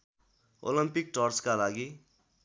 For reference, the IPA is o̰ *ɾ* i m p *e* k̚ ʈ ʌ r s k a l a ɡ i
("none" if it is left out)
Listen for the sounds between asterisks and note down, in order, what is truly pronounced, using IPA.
l, i

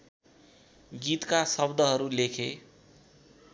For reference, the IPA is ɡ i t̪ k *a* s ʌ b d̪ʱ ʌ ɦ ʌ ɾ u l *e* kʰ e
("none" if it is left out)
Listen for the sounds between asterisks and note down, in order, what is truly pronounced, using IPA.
a, e

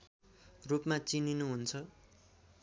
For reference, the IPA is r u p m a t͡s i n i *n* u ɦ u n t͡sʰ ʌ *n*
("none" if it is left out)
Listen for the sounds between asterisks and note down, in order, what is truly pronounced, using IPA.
n, none

